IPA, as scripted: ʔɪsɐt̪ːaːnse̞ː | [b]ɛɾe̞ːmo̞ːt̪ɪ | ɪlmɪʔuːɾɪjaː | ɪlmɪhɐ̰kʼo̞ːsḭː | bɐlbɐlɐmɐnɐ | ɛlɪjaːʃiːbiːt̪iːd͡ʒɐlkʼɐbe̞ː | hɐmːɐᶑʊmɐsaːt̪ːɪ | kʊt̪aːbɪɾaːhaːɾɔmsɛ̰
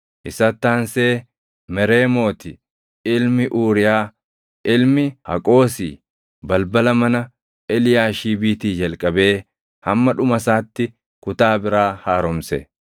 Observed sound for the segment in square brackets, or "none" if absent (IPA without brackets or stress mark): m